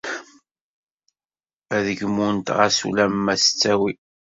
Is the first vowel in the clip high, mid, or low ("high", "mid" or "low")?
low